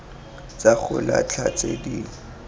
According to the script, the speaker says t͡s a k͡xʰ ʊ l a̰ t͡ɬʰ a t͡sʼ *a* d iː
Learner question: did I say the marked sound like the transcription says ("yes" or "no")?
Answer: no